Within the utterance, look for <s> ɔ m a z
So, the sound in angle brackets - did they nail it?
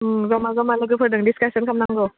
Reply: no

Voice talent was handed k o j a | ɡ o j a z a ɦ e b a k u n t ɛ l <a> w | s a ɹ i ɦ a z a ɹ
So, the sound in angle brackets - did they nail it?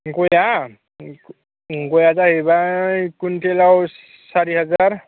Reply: yes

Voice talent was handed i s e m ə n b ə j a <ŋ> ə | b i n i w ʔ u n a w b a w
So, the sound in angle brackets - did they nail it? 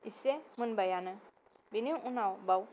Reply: no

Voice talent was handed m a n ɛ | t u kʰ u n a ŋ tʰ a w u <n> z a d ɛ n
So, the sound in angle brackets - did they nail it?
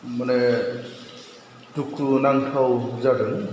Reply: no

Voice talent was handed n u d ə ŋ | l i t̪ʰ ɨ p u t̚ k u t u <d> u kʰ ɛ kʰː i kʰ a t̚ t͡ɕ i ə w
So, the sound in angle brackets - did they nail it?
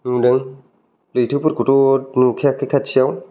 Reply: no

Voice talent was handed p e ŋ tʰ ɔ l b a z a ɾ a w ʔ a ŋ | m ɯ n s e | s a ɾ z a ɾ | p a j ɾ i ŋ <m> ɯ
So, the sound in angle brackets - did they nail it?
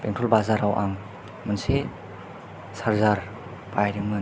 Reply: yes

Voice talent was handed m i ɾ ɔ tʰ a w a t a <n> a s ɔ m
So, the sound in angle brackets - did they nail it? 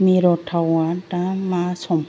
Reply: no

